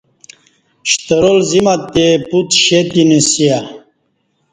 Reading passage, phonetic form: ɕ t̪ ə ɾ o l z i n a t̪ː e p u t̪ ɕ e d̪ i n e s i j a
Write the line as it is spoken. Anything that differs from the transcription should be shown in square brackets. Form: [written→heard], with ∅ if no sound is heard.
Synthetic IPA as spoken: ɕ t̪ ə ɾ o l z i [n→m] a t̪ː e p u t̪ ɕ e [d̪→t̪] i n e s i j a